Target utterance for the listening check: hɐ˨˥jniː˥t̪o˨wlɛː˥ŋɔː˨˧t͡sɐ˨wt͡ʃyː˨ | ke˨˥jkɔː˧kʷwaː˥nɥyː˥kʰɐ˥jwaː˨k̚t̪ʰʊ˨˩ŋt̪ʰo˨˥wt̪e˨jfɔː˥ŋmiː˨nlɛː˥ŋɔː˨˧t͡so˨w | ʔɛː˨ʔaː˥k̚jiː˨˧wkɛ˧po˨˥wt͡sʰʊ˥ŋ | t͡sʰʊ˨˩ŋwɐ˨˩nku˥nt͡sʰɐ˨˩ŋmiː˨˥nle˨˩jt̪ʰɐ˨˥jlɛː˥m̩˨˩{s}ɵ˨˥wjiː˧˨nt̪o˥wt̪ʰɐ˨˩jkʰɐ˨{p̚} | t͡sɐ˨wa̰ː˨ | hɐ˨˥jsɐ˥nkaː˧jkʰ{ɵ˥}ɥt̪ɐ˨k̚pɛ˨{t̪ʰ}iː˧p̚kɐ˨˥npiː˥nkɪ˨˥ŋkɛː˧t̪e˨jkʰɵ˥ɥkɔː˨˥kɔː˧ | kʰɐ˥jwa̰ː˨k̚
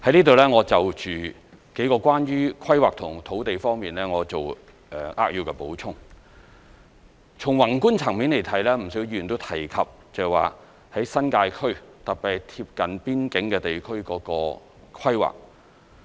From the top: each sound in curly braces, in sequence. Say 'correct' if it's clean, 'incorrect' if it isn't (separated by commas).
correct, correct, correct, correct